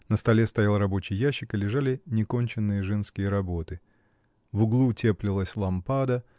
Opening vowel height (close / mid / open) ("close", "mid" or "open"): mid